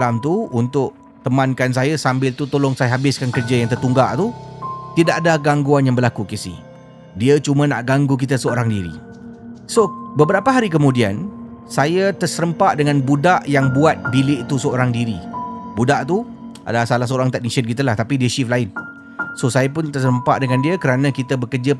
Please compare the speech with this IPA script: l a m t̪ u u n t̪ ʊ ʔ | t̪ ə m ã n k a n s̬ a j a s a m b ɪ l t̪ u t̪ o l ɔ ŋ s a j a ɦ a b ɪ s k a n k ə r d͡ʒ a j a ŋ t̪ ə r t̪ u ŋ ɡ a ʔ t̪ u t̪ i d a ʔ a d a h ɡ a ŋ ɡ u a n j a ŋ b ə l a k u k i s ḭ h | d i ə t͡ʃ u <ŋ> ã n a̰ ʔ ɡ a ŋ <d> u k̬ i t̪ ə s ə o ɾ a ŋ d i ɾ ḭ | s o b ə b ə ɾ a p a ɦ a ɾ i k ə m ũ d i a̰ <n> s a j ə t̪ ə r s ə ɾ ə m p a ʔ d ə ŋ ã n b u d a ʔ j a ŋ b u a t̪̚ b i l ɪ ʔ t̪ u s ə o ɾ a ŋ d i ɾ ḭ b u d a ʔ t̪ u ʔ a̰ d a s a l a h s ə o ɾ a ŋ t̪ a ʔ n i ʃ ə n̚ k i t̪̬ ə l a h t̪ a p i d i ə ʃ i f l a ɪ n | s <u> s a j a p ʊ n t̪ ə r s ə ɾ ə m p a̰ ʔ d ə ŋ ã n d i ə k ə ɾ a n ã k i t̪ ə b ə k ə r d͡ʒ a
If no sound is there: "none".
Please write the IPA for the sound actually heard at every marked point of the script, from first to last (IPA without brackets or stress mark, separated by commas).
m, ɡ, n, o